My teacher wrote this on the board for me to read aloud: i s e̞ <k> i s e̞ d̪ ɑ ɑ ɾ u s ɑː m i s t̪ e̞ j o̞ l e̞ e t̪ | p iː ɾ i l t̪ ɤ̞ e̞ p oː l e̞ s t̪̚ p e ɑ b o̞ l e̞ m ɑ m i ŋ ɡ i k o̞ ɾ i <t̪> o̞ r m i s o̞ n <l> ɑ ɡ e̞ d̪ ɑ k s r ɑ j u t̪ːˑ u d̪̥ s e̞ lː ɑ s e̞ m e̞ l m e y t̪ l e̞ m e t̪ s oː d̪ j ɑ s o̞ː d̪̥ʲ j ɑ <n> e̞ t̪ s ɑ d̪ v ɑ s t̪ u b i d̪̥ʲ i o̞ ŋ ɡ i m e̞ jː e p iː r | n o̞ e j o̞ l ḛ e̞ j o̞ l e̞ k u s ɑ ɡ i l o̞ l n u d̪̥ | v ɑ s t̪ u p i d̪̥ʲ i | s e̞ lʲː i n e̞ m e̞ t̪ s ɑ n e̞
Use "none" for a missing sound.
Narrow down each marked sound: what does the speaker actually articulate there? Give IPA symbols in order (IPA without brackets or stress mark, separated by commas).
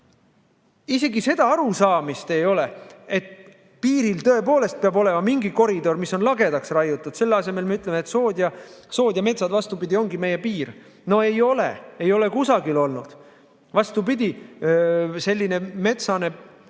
ɡ, d̪, l, m